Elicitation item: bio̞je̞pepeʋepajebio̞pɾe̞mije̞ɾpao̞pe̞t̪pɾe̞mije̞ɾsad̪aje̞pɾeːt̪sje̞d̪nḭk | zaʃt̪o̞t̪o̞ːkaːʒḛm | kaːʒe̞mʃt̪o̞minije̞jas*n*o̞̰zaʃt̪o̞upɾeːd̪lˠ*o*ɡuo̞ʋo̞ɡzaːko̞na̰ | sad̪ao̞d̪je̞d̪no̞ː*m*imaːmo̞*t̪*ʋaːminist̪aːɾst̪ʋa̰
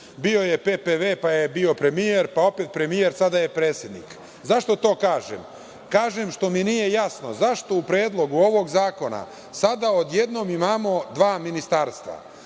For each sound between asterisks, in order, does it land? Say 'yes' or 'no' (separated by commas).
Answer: yes, yes, yes, no